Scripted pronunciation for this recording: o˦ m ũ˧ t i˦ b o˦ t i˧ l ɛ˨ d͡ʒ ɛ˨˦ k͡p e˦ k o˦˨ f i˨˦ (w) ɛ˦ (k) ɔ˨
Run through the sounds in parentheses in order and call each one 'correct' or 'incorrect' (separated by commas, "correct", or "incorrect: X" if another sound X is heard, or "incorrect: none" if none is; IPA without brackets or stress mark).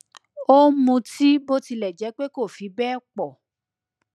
incorrect: b, incorrect: k͡p